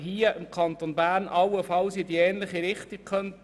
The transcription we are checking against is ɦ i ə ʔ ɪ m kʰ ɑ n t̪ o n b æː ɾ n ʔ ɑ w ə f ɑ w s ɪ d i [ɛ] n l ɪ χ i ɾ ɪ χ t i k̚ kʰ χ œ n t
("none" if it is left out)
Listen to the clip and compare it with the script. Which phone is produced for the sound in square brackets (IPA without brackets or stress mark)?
ɛː